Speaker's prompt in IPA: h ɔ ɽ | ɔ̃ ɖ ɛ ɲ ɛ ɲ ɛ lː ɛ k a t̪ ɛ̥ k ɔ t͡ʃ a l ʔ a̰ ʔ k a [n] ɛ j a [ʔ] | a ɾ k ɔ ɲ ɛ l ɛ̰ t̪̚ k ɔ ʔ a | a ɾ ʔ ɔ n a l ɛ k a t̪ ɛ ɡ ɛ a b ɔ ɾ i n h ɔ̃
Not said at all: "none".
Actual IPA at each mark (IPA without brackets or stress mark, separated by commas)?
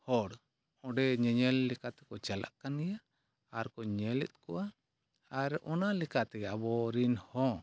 n, none